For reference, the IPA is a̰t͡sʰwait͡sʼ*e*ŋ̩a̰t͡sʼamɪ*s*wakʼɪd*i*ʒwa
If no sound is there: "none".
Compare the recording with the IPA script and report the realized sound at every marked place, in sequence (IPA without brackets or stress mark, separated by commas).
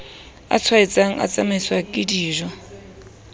a, s, iː